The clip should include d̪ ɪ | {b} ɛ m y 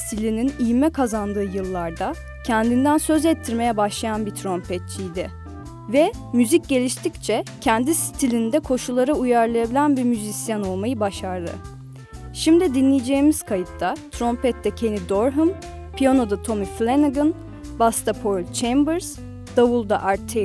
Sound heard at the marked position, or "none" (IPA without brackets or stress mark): v